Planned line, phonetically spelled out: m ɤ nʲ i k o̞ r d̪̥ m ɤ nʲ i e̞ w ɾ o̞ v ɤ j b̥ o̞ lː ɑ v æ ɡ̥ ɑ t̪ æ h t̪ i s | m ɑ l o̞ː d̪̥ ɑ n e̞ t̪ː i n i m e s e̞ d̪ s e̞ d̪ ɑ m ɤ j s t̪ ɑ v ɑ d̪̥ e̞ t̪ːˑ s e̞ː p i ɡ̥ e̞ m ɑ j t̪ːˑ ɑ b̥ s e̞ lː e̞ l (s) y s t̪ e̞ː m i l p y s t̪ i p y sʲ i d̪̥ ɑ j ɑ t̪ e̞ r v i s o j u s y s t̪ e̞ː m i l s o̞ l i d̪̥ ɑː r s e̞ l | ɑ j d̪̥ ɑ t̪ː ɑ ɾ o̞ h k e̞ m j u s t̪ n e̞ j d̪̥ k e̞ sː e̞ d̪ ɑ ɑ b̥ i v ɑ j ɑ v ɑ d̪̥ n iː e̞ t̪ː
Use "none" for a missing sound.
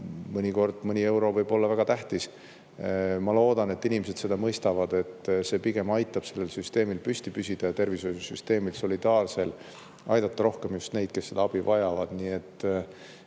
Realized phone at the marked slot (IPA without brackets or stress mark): s